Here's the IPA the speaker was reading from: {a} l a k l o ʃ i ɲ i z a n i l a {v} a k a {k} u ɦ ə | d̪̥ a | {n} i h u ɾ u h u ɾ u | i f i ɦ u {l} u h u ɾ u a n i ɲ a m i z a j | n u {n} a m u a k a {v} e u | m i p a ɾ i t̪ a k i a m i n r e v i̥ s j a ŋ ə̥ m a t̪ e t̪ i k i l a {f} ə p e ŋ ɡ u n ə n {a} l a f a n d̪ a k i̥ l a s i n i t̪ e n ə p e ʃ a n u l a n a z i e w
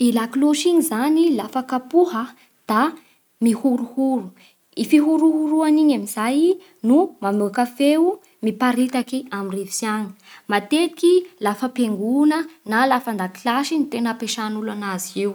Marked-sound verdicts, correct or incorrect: incorrect: i, incorrect: f, incorrect: p, incorrect: m, incorrect: ɾ, incorrect: m, incorrect: f, correct, correct

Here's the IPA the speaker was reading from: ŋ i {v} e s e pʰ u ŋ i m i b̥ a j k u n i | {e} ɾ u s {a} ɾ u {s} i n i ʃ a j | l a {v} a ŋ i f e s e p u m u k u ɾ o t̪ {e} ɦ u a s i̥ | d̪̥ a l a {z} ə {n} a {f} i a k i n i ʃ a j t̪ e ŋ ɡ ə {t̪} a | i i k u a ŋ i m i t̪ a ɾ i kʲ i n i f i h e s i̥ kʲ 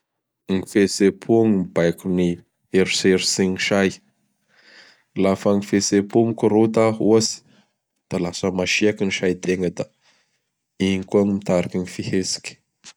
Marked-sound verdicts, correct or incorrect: incorrect: f, correct, incorrect: e, correct, incorrect: f, incorrect: a, incorrect: s, incorrect: m, incorrect: ʃ, incorrect: d̪

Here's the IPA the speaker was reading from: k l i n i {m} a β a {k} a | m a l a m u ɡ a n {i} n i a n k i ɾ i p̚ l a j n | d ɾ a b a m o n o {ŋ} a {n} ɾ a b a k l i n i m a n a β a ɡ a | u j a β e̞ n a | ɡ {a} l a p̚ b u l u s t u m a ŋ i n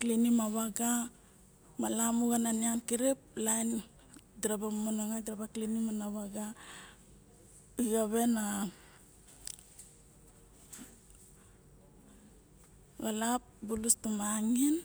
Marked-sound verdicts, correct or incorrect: correct, incorrect: ɡ, incorrect: a, correct, incorrect: d, correct

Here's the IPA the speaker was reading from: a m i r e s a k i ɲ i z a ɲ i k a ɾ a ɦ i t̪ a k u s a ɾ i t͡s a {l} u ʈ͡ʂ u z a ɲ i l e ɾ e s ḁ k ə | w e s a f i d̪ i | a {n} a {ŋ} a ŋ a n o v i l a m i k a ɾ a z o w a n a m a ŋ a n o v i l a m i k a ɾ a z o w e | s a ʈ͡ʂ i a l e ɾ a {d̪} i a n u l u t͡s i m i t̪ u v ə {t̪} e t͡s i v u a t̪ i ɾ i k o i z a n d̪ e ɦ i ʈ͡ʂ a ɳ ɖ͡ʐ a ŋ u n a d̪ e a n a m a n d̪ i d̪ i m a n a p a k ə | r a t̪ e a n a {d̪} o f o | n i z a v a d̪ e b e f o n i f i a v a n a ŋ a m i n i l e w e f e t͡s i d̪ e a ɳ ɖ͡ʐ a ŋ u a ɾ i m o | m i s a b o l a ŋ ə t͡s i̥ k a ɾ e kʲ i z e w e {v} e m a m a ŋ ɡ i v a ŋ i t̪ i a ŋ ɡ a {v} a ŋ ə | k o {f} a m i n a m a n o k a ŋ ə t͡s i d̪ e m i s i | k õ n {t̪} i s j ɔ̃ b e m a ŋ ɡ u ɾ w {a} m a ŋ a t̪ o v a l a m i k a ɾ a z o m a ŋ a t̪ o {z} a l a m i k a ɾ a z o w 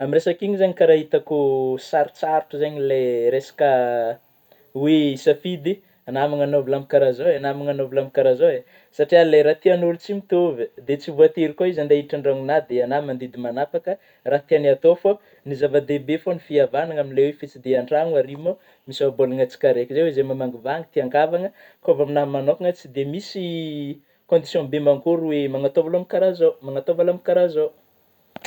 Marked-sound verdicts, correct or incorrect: incorrect: ɾ, correct, incorrect: m, incorrect: t̪, incorrect: d̪, incorrect: t̪, incorrect: z, correct, incorrect: v, incorrect: d̪, incorrect: e, incorrect: v

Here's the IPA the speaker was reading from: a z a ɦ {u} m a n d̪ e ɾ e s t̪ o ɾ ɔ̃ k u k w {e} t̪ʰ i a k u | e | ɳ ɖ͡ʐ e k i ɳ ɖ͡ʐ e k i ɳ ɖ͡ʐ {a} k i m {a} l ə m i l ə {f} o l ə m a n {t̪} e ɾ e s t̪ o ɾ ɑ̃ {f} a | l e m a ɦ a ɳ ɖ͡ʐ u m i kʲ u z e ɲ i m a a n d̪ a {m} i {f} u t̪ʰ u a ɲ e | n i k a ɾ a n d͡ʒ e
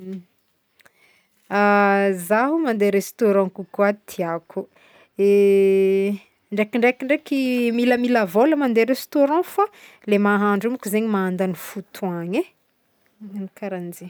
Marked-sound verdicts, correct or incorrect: correct, incorrect: a, incorrect: e, incorrect: i, incorrect: v, incorrect: d̪, correct, incorrect: n, correct

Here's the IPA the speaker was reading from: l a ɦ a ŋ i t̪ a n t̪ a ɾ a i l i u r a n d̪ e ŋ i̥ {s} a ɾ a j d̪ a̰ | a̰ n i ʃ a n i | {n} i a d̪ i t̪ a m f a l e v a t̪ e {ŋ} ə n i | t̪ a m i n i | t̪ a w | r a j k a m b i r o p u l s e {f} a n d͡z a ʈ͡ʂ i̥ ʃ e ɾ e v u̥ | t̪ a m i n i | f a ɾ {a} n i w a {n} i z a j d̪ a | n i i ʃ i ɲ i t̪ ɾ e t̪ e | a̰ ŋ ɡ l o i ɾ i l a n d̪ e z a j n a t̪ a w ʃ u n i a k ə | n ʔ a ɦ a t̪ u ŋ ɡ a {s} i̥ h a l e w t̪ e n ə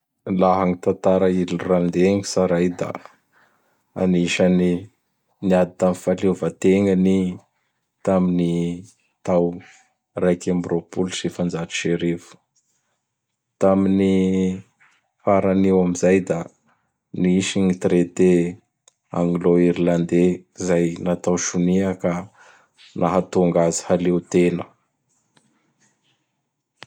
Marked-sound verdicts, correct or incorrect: correct, correct, correct, correct, correct, incorrect: m, incorrect: z

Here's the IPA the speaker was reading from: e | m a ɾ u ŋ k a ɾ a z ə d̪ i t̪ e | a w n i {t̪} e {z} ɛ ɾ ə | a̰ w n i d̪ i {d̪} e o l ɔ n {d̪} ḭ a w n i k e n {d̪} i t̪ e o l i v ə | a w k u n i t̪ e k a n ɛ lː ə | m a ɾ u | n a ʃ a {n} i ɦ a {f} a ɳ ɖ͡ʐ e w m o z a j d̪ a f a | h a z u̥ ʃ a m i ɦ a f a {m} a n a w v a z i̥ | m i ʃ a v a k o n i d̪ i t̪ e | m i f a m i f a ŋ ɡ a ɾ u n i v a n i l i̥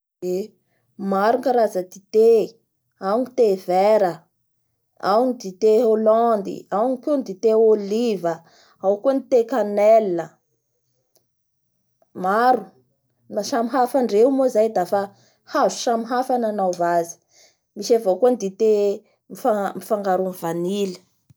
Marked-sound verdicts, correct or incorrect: correct, incorrect: v, incorrect: t̪, correct, correct, incorrect: m, correct, incorrect: n

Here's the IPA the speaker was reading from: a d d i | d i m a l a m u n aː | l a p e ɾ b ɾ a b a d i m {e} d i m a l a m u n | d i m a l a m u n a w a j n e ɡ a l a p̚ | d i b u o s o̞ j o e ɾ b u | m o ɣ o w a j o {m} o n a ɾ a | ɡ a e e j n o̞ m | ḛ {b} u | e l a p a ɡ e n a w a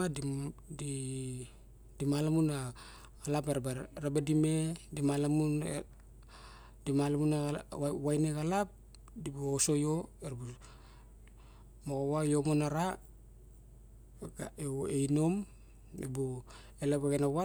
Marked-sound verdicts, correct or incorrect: correct, correct, correct

